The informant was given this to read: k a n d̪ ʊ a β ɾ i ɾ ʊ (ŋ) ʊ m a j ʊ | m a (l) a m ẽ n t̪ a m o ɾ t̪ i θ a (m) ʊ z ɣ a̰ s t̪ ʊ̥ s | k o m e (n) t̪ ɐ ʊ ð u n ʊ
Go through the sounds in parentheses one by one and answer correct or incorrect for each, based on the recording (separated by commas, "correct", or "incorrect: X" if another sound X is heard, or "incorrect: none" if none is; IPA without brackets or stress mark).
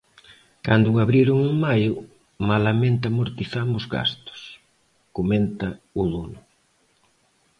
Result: correct, correct, correct, correct